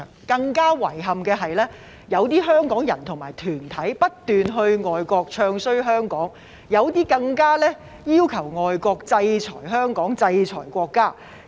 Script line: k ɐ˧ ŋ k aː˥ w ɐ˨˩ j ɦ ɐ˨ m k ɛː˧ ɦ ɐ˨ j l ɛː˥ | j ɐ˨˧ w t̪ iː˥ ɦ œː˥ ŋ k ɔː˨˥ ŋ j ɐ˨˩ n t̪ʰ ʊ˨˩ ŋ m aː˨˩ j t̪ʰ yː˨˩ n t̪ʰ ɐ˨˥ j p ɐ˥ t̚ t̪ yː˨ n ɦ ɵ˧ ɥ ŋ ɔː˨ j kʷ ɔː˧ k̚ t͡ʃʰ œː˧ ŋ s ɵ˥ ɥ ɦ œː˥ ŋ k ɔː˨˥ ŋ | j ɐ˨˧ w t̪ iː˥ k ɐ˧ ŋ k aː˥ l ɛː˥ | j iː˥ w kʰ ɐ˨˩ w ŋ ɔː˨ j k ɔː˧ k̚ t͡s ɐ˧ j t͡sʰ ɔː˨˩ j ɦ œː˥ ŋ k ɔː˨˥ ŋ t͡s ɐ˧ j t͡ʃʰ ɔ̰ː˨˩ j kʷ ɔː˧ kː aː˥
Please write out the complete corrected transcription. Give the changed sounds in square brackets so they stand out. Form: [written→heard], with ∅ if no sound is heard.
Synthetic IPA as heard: k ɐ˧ ŋ k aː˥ w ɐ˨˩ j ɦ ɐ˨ m k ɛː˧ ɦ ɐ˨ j l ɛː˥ | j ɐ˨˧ w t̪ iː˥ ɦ œː˥ ŋ k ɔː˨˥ ŋ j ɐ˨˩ n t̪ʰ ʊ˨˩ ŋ m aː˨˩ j t̪ʰ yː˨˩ n t̪ʰ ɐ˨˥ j p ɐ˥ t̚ t̪ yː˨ n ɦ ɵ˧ ɥ ŋ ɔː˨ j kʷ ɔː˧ k̚ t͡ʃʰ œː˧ ŋ s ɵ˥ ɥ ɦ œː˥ ŋ k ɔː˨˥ ŋ | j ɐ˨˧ w t̪ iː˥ k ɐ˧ ŋ k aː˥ l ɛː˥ | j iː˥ w kʰ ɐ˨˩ w ŋ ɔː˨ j k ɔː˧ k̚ t͡s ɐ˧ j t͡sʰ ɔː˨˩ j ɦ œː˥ ŋ k ɔː˨˥ ŋ t͡s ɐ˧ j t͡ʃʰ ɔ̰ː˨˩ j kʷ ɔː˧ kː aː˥